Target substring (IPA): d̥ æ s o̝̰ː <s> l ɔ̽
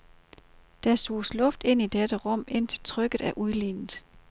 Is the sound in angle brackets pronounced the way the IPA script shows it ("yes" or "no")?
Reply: yes